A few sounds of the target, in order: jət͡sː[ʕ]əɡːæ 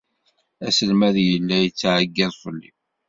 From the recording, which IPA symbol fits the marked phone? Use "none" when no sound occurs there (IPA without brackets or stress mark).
ʕ